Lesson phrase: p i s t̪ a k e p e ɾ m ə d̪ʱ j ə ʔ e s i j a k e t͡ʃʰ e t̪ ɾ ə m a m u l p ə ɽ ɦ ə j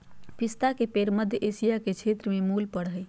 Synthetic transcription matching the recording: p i s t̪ a k e p e ɾ m ə d̪ʱ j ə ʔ e s i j a k e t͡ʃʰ e t̪ ɾ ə m e m u l p ə ɽ ɦ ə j